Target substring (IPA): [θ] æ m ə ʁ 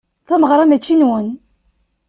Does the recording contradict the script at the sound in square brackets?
no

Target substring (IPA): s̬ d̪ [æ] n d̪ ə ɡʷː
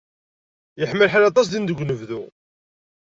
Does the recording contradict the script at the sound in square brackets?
yes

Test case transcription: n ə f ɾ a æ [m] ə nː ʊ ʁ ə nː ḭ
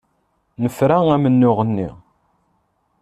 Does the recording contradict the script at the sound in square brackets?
no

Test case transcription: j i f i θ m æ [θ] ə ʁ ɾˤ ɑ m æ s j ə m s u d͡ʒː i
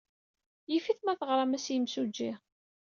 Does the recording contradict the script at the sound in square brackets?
no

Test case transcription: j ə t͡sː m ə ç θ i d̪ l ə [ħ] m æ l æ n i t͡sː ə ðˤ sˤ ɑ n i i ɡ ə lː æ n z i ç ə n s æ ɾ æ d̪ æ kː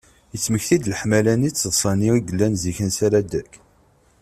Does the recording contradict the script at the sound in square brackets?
no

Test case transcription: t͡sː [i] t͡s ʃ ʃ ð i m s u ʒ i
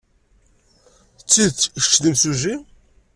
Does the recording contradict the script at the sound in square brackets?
no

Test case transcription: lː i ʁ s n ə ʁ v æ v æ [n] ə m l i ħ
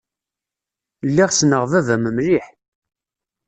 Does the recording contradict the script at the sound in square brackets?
yes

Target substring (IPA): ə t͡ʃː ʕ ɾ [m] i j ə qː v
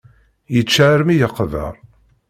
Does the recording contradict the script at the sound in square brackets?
no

